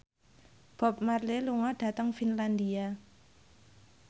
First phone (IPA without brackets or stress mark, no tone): b̥